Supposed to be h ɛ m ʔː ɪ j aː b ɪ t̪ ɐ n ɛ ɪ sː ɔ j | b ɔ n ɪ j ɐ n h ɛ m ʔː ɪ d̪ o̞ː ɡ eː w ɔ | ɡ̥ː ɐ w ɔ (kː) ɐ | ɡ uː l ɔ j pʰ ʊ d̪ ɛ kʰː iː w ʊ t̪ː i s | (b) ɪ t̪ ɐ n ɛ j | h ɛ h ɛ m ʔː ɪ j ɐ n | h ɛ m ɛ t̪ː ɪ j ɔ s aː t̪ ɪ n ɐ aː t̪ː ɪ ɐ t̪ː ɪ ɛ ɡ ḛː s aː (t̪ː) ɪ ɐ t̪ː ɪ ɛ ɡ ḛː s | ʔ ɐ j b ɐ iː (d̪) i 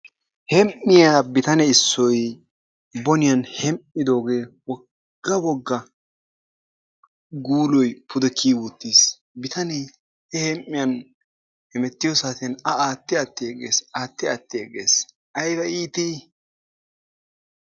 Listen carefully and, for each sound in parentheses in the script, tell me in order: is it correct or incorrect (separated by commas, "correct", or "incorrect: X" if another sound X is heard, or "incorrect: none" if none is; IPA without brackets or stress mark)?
incorrect: ɡː, correct, correct, incorrect: t̪